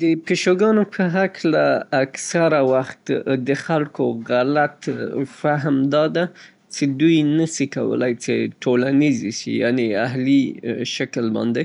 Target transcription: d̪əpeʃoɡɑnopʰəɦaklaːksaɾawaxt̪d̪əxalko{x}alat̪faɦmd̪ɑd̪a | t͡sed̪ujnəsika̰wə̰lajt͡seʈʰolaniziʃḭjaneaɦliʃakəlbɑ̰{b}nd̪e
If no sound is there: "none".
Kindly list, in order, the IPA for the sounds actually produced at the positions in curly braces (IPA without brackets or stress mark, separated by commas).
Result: ɣ, none